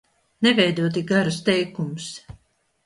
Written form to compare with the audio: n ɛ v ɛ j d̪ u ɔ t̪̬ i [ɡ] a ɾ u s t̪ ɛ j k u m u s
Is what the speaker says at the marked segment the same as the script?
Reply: yes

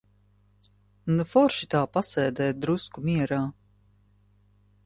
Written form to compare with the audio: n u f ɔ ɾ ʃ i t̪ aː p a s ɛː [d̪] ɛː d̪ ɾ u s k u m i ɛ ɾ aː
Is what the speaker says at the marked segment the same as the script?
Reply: yes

